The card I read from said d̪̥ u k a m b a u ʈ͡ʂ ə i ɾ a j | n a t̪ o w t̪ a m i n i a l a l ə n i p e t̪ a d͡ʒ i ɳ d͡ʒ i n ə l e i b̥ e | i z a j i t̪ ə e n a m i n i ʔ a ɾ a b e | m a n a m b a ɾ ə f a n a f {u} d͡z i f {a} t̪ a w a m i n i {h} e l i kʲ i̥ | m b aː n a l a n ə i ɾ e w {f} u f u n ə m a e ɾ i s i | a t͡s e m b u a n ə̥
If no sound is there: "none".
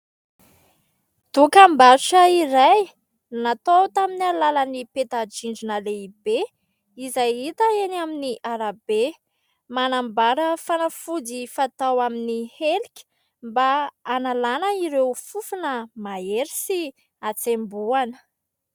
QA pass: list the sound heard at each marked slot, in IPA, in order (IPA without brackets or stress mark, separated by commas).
u, a, h, f